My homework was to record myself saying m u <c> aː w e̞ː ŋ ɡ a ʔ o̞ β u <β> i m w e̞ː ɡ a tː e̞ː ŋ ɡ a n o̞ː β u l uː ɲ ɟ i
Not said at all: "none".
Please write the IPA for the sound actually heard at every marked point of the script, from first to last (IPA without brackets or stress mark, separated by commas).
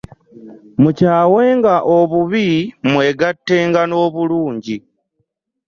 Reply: c, β